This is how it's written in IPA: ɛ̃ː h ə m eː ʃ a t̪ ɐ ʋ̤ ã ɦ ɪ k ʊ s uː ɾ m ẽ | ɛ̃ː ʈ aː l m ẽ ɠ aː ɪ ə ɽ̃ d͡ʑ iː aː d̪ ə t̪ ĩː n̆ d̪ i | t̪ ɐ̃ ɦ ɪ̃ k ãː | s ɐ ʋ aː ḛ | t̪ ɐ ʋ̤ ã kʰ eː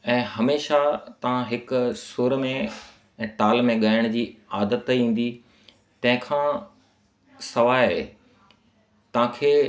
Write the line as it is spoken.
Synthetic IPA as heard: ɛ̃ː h ɐ m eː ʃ a t̪ ɐ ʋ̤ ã ɦ ɪ k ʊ s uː ɾ m ẽ | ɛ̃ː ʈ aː l m ẽ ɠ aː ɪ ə ɽ̃ d͡ʑ iː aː d̪ ə t̪ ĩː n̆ d̪ i | t̪ ɐ̃ ɦ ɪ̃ kʰ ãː | s ɐ ʋ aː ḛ | t̪ ɐ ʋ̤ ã kʰ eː